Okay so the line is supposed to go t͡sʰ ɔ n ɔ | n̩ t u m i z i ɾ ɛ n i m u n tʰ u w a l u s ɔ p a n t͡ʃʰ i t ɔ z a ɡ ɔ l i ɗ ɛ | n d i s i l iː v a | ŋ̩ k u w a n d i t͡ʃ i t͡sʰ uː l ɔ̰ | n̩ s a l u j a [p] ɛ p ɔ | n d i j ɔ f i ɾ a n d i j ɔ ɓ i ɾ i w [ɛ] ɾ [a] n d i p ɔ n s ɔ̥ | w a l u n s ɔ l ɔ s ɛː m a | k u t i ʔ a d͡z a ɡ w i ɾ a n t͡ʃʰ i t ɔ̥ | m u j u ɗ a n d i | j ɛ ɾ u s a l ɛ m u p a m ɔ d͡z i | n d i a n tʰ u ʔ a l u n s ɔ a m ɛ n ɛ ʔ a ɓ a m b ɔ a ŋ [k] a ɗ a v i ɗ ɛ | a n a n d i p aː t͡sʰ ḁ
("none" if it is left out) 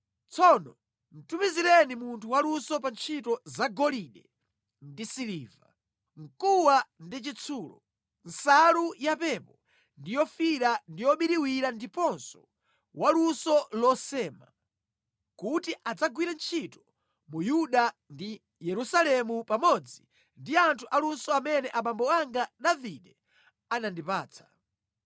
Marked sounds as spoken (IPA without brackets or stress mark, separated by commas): p, i, a, ɡ